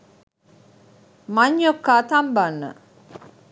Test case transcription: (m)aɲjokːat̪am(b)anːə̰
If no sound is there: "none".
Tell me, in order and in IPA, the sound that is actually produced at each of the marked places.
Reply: m, b

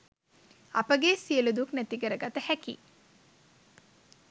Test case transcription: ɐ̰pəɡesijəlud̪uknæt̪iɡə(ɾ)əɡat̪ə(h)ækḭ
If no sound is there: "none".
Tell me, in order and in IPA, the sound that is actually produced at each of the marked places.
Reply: ɾ, h

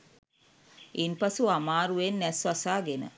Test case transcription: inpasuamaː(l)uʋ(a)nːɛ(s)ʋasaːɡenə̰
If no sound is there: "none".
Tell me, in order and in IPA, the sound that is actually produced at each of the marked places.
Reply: ɾ, e, s

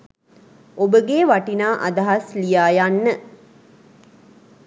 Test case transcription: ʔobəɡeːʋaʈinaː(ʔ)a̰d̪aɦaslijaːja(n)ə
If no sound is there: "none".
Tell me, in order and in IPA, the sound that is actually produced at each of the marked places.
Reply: ʔ, nː

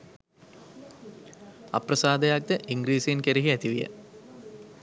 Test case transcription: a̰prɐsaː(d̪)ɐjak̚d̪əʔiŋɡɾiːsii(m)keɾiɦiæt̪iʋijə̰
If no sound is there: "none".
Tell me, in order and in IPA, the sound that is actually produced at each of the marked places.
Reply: d̪, n

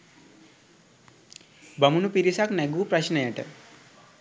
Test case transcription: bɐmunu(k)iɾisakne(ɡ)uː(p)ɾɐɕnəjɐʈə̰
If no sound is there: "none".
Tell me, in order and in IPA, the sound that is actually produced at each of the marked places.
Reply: p, ɡ, p

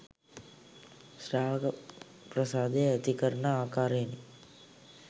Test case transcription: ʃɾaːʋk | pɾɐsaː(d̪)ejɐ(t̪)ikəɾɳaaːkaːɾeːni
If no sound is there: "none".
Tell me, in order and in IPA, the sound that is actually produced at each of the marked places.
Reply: d̪, t̪

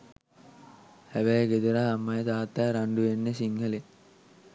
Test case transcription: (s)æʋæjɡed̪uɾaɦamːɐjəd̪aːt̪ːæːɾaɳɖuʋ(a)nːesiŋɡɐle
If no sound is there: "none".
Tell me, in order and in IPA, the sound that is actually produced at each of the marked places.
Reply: h, e

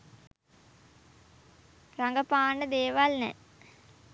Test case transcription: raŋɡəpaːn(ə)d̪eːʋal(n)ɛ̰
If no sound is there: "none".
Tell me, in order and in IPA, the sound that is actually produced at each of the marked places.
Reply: ə, n

